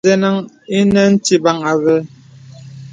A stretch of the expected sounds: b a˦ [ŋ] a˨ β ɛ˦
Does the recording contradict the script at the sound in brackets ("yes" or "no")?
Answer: no